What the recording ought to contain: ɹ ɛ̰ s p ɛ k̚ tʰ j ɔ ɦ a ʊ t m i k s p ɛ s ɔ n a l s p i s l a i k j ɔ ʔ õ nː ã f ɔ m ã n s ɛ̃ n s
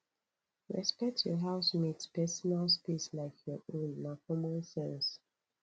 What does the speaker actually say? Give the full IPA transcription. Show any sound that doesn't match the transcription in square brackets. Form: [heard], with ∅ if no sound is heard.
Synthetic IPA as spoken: ɹ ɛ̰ s p ɛ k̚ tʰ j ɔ ɦ a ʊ [s] m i [t] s p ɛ s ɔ n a l s p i s l a [ɪ] k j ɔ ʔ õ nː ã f ɔ m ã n s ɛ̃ n s